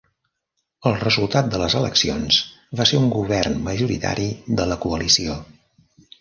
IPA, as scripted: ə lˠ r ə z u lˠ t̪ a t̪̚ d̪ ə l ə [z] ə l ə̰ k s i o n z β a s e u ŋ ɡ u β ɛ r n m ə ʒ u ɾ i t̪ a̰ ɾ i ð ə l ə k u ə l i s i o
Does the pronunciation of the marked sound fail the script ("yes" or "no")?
no